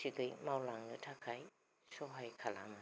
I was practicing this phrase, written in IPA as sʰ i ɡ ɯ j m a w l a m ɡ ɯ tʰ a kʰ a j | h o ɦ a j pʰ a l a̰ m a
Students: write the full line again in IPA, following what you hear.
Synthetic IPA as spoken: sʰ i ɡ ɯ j m a w l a ŋ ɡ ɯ tʰ a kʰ a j | s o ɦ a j kʰ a l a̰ m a